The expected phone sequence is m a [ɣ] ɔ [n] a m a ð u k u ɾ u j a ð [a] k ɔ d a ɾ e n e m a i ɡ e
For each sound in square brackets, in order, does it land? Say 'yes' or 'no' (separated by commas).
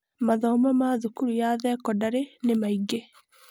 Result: no, no, no